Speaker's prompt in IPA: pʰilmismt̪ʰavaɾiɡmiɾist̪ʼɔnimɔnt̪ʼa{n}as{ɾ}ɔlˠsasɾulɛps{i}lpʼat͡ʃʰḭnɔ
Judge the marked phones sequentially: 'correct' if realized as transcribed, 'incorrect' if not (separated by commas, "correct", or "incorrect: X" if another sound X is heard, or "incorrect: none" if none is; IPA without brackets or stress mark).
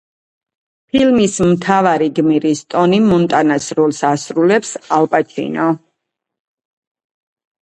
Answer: correct, correct, incorrect: a